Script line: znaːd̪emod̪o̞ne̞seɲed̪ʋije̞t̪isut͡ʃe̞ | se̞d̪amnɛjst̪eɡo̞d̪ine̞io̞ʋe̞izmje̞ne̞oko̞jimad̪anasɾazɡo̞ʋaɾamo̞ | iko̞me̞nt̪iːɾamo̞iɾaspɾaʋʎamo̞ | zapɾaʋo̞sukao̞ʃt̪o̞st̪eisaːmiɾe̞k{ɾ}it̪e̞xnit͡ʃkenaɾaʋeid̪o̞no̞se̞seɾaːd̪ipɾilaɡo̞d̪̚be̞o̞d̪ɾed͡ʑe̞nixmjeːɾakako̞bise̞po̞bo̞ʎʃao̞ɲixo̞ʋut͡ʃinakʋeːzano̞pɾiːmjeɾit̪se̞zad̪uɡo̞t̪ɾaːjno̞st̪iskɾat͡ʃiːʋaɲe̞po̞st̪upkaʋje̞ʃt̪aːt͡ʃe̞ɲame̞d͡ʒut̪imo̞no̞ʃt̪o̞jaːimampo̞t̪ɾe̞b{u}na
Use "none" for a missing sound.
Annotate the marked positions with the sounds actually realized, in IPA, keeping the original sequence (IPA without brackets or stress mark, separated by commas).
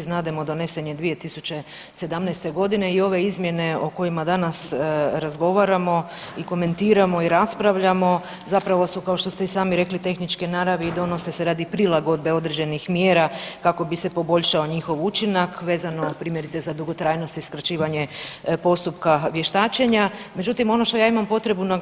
l, u